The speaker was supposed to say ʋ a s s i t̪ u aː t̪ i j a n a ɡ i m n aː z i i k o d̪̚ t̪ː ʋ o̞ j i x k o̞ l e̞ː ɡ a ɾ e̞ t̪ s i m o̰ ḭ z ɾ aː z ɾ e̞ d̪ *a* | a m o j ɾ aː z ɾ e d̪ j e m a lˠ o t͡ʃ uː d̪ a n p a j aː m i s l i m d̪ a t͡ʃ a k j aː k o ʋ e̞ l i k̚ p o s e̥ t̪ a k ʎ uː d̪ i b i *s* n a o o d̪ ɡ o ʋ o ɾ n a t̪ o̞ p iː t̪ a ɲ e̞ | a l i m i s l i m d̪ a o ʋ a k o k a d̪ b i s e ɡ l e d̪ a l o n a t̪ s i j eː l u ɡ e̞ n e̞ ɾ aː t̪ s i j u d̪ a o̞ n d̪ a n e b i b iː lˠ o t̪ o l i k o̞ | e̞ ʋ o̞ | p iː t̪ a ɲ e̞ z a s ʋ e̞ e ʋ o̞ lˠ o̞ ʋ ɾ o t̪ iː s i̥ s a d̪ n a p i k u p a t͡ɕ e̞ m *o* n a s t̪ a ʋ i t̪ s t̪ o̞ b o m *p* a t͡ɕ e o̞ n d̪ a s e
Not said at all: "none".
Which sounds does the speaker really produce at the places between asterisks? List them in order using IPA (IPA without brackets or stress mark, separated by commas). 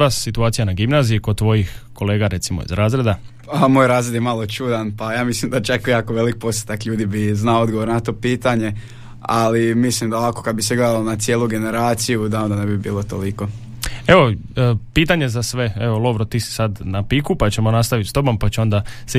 a, z, o, p